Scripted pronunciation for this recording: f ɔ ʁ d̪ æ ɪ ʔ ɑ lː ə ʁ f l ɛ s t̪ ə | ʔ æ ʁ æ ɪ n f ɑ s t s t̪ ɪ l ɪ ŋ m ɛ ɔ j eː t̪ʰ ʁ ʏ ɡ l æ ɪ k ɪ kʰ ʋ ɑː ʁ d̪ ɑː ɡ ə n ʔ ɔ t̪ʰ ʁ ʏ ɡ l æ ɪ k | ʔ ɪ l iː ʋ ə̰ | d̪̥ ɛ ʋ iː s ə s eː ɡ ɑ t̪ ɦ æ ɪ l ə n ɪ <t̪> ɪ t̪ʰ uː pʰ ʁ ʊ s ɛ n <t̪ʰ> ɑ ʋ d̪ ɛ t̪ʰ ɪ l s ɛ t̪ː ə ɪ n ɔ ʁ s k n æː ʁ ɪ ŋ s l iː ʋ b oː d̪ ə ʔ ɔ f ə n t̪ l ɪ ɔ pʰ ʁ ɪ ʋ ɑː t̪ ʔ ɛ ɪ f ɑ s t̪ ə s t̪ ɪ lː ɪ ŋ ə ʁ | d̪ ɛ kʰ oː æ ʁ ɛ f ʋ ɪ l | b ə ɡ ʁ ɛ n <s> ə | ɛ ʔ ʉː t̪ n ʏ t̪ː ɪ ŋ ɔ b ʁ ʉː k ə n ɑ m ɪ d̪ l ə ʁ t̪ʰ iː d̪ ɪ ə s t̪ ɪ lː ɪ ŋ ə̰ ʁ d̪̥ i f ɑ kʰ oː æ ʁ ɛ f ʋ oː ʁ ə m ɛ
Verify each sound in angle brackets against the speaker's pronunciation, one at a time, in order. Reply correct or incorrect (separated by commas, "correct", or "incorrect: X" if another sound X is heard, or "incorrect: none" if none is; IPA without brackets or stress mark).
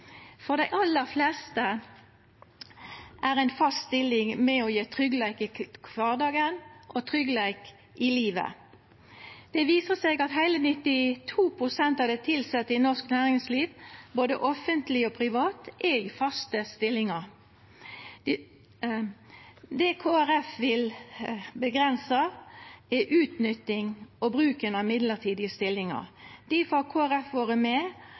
correct, incorrect: t̪, correct